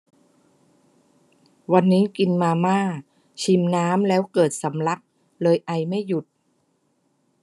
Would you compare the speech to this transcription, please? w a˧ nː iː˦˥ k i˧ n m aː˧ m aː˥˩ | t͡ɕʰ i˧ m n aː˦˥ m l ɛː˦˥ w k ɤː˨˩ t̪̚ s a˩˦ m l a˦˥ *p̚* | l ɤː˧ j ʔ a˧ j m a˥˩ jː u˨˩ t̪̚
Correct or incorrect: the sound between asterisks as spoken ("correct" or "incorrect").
incorrect